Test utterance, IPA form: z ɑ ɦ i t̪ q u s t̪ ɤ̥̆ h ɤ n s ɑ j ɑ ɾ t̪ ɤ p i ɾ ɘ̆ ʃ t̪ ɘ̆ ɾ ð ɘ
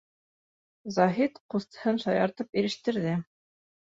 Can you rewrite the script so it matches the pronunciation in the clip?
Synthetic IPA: z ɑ ɦ i t̪ q u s t̪ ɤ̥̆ h ɤ n ʃ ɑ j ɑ ɾ t̪ ɤ p i ɾ ɘ̆ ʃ t̪ ɘ̆ ɾ ð ɘ